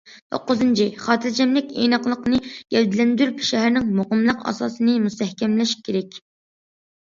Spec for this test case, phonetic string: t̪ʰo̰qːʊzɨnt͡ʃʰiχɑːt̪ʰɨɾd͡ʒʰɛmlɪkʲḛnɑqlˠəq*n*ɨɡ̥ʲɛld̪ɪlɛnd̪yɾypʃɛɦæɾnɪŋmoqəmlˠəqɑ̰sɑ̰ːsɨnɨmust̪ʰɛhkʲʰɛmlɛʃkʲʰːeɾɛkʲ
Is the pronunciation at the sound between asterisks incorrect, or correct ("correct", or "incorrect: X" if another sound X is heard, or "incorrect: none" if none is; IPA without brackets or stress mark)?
correct